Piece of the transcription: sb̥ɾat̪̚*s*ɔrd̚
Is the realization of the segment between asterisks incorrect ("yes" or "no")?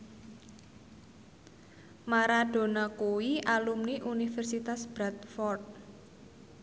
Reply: yes